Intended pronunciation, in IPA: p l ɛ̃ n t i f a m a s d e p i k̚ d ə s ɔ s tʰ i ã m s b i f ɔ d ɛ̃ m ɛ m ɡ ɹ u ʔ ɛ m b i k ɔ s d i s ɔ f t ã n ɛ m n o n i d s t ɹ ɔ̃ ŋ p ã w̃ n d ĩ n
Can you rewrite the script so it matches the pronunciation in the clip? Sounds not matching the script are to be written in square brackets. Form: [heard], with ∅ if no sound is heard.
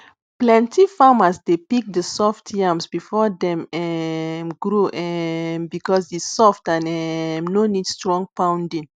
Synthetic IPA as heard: p l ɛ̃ n t i f a m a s d e p i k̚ d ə s ɔ [f] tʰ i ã m s b i f ɔ d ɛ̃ m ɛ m ɡ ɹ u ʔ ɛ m b i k ɔ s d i s ɔ f t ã n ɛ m n o n i d s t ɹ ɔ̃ ŋ p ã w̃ n d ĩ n